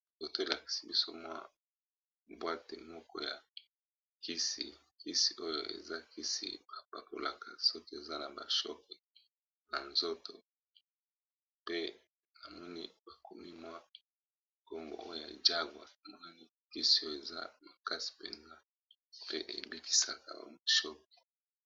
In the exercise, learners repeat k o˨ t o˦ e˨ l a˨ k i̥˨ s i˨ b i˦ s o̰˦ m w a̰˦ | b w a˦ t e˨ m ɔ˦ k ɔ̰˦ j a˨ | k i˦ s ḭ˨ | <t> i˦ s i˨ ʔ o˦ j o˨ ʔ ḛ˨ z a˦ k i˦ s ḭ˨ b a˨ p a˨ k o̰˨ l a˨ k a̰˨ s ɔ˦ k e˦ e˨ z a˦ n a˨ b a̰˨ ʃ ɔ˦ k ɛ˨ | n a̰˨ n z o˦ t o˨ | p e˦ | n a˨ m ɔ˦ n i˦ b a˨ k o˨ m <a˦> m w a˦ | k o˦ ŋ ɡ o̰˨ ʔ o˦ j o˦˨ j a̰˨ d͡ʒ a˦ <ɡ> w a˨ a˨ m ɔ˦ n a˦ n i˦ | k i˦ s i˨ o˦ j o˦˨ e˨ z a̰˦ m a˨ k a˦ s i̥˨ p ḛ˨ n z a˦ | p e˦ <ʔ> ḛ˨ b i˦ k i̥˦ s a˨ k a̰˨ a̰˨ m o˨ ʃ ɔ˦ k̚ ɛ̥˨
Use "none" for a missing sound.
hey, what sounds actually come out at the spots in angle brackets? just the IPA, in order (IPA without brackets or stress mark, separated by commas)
k, i˦, ɡ, ʔ